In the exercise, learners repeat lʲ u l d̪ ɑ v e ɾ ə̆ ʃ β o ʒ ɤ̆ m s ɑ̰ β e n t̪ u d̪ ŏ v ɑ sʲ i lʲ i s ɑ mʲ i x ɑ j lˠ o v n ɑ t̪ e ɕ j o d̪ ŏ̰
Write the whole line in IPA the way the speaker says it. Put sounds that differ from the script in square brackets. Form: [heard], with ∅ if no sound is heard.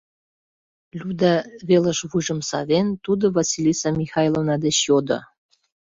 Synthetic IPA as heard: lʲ u [∅] d̪ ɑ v e [l] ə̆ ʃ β [u] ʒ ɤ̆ m s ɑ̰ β e n t̪ u d̪ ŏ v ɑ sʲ i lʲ i s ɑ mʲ i x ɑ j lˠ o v n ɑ [d̪] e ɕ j o d̪ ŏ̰